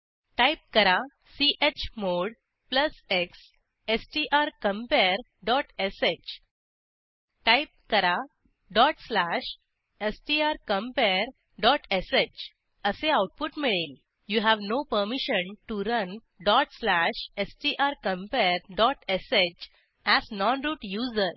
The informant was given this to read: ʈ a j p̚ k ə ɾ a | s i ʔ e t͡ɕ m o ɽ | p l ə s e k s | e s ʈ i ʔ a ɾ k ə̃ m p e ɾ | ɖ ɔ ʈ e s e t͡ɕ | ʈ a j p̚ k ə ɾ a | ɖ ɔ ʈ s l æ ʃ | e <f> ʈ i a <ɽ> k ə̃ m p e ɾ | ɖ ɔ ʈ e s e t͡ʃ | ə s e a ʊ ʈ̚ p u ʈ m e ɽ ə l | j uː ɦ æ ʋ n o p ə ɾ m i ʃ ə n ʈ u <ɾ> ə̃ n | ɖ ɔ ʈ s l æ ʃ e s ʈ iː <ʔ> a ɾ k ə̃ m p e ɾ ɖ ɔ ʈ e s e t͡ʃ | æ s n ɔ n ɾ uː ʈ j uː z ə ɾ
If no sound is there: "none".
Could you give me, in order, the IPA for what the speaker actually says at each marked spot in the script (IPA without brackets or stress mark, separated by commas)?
s, ɾ, ɾ, ʔ